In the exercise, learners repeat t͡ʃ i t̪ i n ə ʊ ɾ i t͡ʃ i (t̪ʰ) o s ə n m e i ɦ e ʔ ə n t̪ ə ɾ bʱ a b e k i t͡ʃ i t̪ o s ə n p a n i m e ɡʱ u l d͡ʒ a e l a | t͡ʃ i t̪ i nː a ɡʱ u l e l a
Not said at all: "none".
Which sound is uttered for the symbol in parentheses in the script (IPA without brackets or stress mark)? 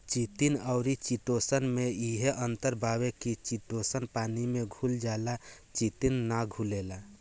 t̪